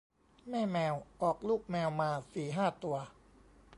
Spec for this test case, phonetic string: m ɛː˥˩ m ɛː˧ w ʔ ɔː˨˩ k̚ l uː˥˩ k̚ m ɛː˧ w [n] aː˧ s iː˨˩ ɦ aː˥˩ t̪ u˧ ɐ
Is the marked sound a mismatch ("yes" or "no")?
yes